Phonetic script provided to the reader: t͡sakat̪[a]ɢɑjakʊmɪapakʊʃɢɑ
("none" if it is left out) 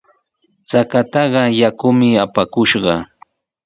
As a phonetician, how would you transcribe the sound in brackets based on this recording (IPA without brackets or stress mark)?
ɑ